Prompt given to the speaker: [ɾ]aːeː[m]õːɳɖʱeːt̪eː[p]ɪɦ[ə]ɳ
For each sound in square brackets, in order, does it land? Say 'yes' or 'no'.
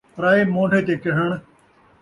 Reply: yes, yes, no, yes

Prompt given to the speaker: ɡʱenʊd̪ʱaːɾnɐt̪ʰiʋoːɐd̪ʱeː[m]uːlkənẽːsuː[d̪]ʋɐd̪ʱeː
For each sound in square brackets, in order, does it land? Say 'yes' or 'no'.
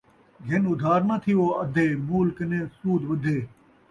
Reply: yes, yes

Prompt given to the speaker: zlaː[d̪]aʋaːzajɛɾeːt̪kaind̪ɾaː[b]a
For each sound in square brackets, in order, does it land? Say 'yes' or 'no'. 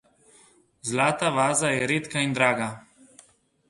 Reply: no, no

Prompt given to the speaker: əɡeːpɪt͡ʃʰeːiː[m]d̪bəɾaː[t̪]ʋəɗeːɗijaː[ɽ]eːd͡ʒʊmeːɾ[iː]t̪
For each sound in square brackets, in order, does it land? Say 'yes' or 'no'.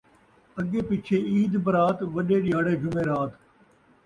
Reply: no, yes, yes, no

